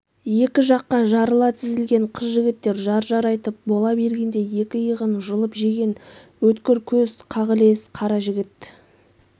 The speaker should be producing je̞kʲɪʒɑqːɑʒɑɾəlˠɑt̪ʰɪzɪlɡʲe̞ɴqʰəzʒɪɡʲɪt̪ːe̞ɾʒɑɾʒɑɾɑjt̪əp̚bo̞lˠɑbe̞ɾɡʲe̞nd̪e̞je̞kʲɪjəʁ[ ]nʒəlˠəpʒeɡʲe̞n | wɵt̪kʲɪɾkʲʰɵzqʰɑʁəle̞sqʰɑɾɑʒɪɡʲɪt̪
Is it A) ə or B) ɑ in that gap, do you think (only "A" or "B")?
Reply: A